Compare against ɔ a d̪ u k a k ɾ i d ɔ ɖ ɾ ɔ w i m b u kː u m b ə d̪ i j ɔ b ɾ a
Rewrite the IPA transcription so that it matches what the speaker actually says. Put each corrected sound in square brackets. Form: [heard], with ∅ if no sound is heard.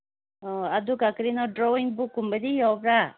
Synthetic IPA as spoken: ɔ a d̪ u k a k ɾ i [n] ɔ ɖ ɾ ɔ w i [ŋ] b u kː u m b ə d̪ i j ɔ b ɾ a